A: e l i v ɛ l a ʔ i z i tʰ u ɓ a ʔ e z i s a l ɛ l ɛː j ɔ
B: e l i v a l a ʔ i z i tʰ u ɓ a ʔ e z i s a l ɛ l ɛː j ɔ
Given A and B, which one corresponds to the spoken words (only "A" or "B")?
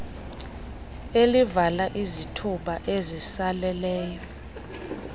B